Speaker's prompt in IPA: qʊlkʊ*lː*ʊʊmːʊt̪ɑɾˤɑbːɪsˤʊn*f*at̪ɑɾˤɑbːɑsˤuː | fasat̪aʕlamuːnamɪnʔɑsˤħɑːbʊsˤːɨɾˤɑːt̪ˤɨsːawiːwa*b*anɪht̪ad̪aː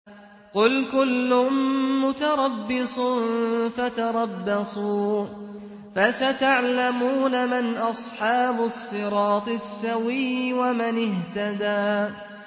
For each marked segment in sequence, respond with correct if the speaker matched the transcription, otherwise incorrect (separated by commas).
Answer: correct, correct, incorrect